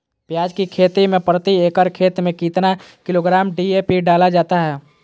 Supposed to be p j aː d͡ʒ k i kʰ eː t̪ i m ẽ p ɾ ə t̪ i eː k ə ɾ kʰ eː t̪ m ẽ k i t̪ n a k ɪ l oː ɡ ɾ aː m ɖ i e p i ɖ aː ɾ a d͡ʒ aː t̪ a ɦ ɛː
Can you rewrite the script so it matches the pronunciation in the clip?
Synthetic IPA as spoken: p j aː d͡ʒ k i kʰ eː t̪ i m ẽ p ɾ ə t̪ i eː k ə ɾ kʰ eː t̪ m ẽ k i t̪ n a k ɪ l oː ɡ ɾ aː m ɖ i e p i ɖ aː l a d͡ʒ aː t̪ a ɦ ɛː